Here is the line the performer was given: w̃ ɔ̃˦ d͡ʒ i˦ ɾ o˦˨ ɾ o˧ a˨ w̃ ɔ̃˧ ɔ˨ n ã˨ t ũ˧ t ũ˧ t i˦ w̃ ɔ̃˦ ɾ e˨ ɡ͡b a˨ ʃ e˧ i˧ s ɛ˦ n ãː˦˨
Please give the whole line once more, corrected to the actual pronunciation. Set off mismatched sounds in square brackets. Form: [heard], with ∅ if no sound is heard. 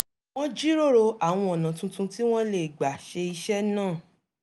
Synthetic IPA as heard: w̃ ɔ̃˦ d͡ʒ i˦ ɾ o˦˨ ɾ o˧ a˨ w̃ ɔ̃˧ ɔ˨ n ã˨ t ũ˧ t ũ˧ t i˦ w̃ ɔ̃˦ [l] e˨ ɡ͡b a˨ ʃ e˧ i˧ [ʃ] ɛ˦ n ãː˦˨